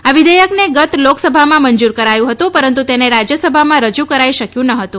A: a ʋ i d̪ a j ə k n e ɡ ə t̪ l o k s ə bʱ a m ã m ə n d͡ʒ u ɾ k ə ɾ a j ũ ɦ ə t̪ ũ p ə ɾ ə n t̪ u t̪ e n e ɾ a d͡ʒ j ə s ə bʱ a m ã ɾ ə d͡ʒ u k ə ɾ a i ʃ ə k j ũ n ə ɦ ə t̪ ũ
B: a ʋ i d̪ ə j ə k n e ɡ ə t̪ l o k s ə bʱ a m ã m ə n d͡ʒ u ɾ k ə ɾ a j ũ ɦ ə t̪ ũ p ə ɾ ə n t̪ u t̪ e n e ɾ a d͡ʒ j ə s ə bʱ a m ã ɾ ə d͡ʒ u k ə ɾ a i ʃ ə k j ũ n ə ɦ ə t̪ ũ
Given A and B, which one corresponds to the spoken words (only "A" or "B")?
B